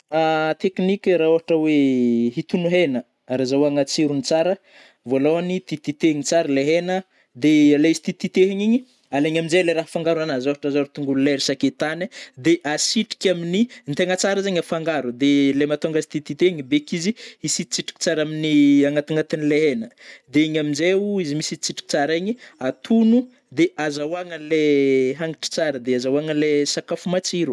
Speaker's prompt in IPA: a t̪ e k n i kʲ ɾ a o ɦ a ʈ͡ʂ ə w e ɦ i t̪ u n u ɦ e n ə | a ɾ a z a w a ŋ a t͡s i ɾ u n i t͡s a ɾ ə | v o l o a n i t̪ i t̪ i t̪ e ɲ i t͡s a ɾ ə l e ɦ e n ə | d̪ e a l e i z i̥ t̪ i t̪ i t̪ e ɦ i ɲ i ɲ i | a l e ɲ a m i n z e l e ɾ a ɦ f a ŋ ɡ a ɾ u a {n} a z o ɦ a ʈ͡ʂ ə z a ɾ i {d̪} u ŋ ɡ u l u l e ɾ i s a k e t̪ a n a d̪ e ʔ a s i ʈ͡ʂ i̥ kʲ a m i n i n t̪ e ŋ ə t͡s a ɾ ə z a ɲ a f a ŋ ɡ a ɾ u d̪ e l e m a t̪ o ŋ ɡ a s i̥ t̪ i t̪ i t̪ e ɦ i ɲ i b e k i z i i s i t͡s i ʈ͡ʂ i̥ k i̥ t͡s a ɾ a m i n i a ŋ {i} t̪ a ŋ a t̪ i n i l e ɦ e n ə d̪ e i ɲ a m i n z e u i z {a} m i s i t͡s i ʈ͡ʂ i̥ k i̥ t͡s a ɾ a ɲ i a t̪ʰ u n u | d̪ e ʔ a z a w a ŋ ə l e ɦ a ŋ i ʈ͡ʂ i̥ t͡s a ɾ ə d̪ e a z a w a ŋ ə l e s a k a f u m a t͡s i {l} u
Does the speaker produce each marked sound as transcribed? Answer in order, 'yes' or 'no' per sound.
yes, no, no, no, no

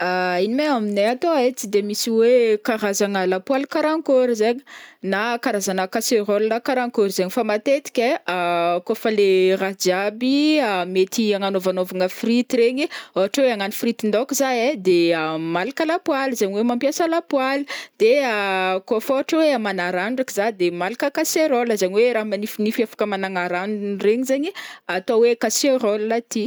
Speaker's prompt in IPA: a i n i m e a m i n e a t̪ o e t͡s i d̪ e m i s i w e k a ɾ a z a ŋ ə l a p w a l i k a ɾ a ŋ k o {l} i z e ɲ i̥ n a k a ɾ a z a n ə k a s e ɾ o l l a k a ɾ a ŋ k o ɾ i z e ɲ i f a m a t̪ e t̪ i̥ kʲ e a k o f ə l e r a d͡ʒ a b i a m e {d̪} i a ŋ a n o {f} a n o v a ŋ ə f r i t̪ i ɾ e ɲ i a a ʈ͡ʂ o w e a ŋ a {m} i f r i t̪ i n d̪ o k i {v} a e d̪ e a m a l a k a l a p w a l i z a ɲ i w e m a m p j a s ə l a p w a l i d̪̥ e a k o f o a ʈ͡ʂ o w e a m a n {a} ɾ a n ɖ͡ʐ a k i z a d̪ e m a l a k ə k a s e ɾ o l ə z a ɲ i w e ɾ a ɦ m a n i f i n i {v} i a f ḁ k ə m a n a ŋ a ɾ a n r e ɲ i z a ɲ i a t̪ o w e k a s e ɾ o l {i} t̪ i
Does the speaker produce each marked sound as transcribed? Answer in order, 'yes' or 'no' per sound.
no, no, no, no, no, yes, no, no

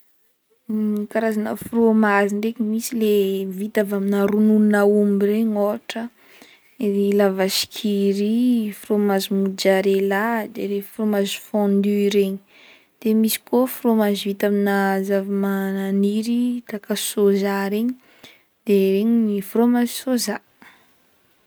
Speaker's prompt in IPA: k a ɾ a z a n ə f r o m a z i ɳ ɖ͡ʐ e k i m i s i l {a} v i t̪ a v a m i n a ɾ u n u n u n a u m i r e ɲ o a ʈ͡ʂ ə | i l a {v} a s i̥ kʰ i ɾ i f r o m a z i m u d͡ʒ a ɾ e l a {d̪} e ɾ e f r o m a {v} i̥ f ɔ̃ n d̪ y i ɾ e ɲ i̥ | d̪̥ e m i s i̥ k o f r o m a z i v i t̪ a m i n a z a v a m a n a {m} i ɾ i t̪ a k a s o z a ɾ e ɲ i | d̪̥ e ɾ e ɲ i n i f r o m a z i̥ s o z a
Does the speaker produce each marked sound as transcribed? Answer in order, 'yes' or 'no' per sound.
no, yes, yes, no, no

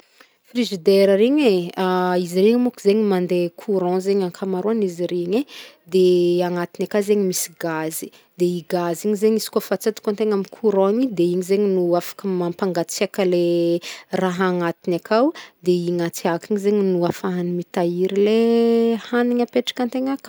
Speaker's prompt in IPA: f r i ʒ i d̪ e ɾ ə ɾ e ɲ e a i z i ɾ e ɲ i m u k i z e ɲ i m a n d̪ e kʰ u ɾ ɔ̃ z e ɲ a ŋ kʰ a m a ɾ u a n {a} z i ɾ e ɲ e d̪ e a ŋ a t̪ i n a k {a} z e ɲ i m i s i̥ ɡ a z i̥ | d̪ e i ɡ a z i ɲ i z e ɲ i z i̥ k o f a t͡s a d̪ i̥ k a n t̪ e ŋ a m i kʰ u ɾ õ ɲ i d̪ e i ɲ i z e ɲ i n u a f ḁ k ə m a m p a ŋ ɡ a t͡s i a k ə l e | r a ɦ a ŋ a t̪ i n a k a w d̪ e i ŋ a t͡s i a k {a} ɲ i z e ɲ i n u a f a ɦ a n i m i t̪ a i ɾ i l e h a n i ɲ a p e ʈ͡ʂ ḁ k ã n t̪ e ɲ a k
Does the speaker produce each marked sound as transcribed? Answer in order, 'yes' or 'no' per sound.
no, yes, no

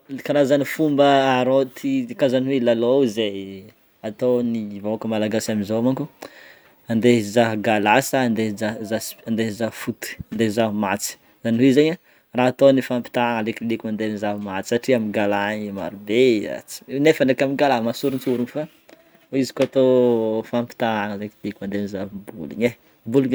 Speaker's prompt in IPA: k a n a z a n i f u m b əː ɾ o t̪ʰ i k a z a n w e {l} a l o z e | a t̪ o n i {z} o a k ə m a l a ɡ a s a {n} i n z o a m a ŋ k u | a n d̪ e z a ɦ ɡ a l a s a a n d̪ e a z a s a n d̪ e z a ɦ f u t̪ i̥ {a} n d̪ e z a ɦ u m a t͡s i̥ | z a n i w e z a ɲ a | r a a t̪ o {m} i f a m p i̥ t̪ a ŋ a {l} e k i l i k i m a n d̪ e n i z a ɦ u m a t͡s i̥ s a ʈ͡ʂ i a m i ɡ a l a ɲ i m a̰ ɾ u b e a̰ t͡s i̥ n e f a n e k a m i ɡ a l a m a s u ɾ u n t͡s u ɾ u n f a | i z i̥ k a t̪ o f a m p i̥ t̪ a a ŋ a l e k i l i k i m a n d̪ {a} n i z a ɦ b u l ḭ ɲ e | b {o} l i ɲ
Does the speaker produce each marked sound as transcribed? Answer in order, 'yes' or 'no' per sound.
yes, no, no, yes, no, yes, no, no

